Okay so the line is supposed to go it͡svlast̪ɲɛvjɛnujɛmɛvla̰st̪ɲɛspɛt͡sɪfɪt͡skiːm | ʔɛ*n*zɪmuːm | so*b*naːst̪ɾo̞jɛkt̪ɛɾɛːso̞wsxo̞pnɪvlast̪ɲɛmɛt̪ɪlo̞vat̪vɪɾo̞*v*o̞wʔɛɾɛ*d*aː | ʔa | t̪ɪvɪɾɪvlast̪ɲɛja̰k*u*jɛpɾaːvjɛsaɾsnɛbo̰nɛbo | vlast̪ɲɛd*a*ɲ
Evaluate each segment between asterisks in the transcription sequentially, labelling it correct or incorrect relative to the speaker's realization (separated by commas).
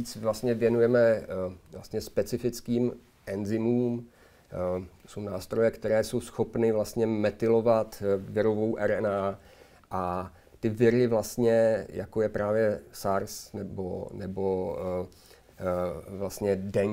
correct, incorrect, correct, incorrect, incorrect, incorrect